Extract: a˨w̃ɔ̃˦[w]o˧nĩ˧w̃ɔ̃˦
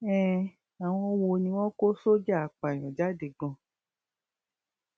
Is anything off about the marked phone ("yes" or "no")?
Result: no